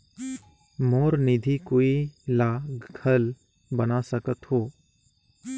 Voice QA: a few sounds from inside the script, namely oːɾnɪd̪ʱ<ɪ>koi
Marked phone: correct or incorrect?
incorrect